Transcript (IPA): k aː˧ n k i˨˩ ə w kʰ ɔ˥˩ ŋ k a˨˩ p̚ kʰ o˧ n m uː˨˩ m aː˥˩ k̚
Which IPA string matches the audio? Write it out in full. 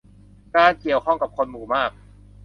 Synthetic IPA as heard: k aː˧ n k i˨˩ ə w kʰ ɔ˥˩ ŋ k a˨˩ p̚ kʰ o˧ n m uː˨˩ m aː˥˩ k̚